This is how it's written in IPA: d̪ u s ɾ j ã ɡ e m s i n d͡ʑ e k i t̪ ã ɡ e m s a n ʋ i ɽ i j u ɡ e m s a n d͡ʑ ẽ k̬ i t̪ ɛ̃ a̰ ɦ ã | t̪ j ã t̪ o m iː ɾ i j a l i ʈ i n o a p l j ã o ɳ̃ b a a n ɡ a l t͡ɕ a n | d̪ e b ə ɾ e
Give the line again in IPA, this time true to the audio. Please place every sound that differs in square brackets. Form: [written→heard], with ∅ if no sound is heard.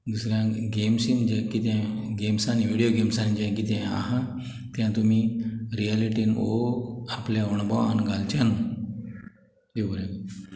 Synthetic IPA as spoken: d̪ u s ɾ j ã ɡ e m s i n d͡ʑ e k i t̪ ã ɡ e m s a n ʋ i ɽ i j [u→o] ɡ e m s a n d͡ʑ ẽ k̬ i t̪ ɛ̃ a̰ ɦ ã | t̪ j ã t̪ [o→u] m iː ɾ i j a l i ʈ i n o a p l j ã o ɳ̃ b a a n ɡ a l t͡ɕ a n | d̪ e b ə ɾ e